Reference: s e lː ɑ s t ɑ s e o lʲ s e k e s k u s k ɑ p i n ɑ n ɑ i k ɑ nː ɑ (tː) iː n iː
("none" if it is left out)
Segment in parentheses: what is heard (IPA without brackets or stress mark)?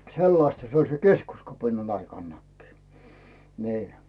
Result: kː